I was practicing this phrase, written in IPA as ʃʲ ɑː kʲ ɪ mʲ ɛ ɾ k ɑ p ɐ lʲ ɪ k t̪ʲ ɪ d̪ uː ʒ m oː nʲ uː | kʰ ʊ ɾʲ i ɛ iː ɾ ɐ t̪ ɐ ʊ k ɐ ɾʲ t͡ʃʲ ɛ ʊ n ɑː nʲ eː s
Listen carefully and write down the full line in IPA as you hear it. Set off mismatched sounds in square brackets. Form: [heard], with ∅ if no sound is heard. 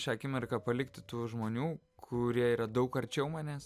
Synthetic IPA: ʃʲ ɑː kʲ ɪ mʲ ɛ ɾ k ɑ p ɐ lʲ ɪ k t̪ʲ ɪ [t̪] uː ʒ m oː nʲ uː | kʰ ʊ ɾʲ i ɛ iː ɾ ɐ [d̪] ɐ ʊ k ɐ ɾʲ t͡ʃʲ ɛ ʊ [m] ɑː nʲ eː s